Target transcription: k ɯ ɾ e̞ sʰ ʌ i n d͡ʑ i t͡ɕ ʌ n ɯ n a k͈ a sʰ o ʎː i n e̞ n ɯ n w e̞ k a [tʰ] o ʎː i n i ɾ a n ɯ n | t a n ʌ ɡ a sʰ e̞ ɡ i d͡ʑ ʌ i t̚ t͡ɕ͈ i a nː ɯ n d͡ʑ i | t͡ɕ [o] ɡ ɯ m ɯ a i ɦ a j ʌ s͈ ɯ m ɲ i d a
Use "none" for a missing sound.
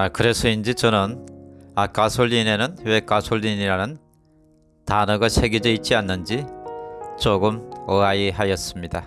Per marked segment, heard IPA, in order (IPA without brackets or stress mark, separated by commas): sʰ, o